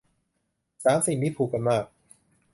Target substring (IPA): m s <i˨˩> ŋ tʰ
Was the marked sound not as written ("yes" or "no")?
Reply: no